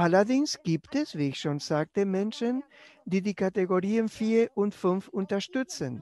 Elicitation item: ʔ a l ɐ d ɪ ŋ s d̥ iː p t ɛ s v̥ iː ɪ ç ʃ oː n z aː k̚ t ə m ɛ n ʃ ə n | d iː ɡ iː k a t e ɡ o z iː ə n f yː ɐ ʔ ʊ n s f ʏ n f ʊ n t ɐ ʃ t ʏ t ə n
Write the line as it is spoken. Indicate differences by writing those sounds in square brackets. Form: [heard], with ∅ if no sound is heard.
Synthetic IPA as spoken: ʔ a l ɐ d ɪ ŋ s [ɡ̥] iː p t ɛ s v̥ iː ɪ ç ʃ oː n z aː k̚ t ə m ɛ n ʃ ə n | d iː [d] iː k a t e ɡ o [ʁ] iː ə n f [iː] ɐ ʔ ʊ n [t] f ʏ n f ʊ n t ɐ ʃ t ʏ [t͡s] ə n